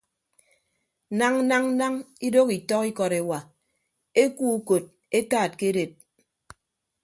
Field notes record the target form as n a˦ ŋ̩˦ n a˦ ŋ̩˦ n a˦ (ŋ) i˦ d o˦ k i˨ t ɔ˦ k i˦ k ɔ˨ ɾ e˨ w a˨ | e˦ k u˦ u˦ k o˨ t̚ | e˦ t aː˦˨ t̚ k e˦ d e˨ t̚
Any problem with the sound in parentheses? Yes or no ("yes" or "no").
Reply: no